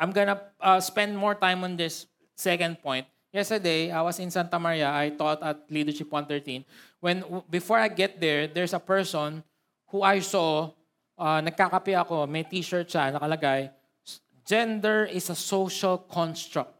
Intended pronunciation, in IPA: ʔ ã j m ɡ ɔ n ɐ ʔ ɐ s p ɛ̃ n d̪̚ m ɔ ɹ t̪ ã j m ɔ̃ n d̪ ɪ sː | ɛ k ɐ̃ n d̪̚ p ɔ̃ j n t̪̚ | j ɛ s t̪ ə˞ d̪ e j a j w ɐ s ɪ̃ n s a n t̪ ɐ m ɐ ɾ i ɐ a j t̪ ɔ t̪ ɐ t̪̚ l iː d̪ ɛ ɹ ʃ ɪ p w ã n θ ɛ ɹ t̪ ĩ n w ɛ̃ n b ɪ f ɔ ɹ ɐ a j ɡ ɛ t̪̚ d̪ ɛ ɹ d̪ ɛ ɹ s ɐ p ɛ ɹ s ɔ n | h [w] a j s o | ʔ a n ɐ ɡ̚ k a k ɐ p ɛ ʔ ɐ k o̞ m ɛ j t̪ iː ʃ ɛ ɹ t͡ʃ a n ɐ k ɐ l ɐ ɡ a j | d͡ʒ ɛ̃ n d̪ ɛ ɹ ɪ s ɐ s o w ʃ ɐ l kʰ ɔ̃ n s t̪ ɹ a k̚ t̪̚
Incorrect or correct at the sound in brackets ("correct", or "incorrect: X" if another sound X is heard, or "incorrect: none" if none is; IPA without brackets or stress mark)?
incorrect: u